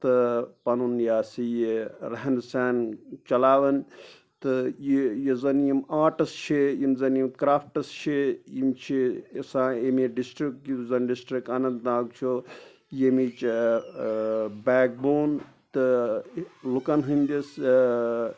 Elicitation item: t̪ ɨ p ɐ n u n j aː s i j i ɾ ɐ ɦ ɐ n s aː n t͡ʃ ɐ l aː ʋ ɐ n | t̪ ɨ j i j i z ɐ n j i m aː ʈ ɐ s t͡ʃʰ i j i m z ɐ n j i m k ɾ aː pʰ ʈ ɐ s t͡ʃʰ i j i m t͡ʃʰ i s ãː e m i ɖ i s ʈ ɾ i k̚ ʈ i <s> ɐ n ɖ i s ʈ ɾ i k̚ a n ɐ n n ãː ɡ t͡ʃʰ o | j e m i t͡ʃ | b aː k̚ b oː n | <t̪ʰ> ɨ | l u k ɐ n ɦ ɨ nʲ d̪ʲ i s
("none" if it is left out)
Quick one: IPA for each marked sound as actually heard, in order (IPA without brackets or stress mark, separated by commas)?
z, t̪